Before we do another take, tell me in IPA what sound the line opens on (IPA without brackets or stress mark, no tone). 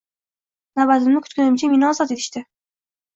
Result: n